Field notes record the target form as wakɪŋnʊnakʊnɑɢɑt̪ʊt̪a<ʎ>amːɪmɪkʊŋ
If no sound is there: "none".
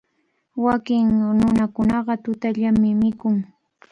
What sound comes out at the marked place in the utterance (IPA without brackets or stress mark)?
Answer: ʎ